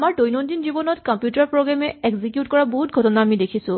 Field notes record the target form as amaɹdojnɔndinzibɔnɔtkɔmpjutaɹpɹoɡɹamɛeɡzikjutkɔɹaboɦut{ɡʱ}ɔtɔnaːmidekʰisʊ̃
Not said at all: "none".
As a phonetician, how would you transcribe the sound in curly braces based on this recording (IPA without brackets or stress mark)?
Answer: ɡʱ